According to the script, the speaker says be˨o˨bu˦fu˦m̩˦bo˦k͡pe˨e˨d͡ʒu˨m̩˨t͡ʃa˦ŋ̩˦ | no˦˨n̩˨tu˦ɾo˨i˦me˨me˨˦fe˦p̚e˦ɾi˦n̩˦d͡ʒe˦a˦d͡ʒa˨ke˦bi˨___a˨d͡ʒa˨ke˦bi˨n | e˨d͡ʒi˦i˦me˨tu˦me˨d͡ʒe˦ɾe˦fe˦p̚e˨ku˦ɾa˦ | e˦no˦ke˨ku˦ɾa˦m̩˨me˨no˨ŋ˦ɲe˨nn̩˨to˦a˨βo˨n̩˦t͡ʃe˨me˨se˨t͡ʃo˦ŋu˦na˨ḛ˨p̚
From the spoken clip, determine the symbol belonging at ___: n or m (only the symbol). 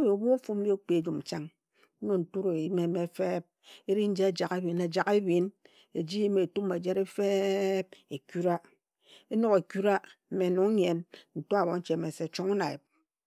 n